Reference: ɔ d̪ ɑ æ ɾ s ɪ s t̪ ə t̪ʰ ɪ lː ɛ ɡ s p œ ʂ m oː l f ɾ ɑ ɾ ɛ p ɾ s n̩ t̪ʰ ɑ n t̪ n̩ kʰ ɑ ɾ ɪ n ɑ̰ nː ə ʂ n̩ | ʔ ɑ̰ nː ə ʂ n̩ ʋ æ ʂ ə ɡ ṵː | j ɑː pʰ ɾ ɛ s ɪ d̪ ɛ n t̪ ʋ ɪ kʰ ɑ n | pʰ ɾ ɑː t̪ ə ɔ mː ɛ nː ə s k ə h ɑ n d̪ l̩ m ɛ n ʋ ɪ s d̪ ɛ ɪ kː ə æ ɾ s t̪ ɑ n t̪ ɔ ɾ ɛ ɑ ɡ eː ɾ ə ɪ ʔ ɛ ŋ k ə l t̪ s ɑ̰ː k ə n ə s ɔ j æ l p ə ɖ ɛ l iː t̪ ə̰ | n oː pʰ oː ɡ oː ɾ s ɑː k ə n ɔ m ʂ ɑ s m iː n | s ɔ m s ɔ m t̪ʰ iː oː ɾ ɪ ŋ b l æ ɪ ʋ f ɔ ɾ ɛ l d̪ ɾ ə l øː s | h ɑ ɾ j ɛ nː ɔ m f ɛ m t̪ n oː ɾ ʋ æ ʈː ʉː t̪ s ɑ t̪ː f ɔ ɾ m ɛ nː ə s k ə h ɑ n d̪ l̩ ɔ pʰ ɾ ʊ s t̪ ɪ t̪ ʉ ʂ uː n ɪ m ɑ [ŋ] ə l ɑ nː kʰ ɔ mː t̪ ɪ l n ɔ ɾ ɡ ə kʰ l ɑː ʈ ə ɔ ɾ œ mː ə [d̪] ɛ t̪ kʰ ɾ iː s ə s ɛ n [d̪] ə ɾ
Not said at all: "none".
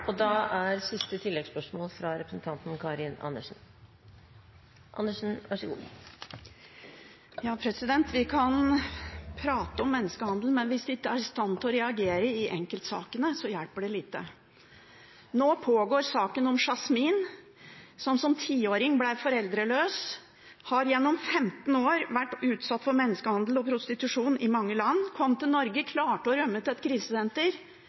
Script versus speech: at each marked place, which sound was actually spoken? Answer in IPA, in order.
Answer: ŋː, t̪, t̪

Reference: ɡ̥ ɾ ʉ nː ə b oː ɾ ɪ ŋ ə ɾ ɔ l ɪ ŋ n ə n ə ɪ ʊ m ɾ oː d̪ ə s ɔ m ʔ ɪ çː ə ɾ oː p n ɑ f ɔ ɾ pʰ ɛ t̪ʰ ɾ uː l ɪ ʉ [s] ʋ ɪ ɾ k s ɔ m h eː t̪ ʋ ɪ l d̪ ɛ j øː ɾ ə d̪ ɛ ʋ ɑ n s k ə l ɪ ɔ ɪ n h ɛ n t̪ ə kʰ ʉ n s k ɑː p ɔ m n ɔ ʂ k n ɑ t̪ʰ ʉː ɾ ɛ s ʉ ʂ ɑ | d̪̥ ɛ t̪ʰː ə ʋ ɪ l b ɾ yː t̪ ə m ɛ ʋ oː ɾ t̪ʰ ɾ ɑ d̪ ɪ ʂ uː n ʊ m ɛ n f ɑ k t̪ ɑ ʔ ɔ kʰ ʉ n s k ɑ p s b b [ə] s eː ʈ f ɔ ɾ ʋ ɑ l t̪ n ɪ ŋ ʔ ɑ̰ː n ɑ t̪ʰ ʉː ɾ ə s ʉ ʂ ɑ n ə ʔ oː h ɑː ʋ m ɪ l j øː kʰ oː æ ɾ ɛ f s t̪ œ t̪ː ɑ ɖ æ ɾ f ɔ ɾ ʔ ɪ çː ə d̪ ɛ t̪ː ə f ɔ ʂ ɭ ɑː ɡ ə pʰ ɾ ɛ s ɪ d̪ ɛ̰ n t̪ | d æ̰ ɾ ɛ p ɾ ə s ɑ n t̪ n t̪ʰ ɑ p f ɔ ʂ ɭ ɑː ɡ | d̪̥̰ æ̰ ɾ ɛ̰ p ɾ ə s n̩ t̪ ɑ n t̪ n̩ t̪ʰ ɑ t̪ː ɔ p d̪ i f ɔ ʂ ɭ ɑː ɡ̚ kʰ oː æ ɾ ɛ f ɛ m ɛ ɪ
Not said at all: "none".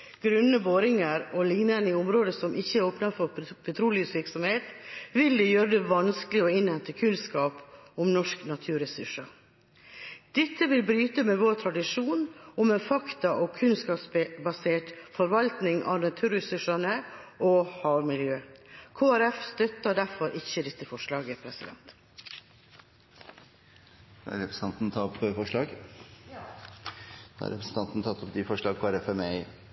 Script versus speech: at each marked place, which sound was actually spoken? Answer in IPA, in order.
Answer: s, ɑ

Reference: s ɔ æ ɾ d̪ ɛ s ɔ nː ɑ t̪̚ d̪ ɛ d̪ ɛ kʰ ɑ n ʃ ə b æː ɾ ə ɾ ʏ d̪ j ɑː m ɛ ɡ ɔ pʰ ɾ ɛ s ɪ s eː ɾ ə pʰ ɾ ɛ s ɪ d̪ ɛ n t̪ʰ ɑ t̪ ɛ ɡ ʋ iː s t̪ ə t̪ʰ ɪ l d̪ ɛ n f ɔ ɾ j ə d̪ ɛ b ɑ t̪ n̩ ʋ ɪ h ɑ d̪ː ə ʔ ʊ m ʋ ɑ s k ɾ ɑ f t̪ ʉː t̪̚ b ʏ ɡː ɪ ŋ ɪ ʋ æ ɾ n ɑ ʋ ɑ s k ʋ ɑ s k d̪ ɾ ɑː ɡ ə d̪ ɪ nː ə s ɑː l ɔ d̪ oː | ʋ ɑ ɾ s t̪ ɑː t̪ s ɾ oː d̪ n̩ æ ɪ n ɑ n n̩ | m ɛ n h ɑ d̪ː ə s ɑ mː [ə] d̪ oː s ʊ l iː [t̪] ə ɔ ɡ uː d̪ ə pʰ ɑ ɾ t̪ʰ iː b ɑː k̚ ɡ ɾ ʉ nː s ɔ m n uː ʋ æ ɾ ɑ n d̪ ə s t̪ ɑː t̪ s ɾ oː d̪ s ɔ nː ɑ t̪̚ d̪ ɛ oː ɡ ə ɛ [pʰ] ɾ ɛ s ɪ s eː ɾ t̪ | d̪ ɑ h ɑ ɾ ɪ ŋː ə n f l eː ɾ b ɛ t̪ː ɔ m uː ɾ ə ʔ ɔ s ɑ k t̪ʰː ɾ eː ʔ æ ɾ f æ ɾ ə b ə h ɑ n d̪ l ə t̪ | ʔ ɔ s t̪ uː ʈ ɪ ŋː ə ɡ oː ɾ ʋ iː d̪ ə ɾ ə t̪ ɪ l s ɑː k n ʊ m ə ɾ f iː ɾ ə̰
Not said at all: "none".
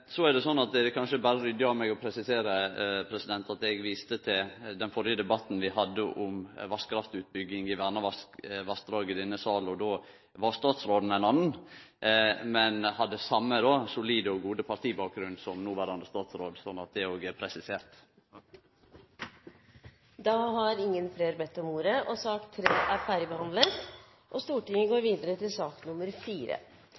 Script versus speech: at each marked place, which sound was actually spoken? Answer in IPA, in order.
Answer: ə, d̪, pʰ

